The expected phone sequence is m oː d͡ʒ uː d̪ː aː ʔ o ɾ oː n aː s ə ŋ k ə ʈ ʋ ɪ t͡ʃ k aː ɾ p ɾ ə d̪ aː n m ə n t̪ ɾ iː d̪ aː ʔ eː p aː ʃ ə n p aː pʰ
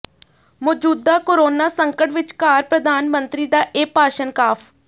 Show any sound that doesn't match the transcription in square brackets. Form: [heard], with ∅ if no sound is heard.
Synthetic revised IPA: m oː d͡ʒ uː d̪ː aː [k] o ɾ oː n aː s ə ŋ k ə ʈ ʋ ɪ t͡ʃ k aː ɾ p ɾ ə d̪ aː n m ə n t̪ ɾ iː d̪ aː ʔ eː p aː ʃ ə n [k] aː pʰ